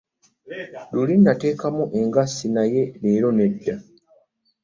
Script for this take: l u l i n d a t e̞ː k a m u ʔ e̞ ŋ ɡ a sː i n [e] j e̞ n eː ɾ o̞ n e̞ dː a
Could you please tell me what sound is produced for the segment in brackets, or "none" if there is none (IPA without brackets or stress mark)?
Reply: a